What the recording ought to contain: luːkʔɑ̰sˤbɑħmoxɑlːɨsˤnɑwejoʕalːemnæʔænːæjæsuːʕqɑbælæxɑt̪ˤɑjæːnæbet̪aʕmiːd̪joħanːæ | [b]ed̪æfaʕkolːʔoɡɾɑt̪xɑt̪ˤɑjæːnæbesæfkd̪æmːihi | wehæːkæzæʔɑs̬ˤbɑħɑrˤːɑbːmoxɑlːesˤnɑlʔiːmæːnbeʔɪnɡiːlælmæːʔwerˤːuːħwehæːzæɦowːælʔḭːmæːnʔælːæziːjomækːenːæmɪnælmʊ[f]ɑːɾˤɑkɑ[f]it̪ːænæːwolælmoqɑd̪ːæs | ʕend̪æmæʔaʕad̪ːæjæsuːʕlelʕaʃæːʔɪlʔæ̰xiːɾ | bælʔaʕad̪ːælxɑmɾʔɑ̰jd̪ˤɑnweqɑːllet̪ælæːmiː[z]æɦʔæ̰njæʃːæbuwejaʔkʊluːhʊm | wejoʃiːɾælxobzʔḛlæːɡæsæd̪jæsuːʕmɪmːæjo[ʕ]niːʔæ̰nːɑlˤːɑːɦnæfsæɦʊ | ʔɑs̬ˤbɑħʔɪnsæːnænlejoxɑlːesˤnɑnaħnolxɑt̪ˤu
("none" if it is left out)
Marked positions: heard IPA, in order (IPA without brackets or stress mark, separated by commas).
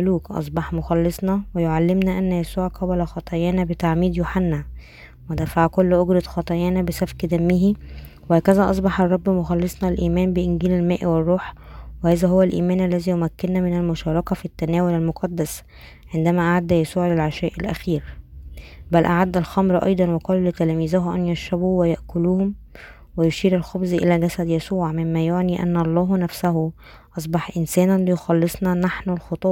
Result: w, ʃ, f, z, ʕ